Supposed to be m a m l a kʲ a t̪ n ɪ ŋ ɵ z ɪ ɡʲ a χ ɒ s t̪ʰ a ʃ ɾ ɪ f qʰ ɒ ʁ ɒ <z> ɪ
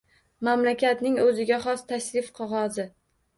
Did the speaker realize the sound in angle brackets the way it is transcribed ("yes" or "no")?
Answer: yes